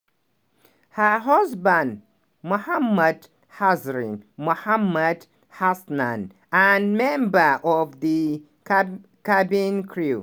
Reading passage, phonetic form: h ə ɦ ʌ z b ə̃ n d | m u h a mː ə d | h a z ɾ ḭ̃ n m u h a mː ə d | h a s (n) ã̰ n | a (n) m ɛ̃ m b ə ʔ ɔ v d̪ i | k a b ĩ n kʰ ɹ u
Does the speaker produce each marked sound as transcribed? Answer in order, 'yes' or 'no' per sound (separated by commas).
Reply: yes, yes